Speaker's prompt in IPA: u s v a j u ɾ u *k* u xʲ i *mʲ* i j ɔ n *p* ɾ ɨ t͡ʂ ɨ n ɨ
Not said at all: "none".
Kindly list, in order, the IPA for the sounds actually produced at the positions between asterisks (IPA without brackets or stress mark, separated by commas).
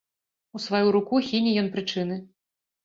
k, nʲ, p